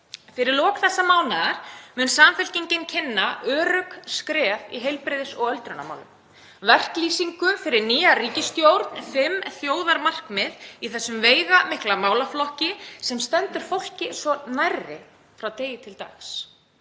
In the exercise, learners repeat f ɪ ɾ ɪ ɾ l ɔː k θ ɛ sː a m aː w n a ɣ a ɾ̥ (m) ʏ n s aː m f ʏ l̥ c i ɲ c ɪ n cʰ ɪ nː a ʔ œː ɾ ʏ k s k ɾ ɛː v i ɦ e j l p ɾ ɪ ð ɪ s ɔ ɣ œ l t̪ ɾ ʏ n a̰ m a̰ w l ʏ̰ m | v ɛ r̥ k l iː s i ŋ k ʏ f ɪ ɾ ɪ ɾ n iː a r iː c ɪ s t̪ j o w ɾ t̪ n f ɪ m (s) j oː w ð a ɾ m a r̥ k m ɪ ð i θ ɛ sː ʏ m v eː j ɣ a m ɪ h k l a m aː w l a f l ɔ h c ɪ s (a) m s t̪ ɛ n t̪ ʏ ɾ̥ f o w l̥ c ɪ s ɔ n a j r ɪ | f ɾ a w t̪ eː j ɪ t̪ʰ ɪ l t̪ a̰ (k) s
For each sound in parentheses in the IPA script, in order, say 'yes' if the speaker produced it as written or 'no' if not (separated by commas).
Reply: yes, no, no, no